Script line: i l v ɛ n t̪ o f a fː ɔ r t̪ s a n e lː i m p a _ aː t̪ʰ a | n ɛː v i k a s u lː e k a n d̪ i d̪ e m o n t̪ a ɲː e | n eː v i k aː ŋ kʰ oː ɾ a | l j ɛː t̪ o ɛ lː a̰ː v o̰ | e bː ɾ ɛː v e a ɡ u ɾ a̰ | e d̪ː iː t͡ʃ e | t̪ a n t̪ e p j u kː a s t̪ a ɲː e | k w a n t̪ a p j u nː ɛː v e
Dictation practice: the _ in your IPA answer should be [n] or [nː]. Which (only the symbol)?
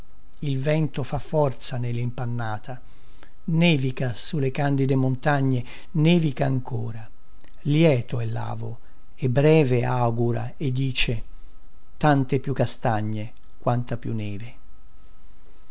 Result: nː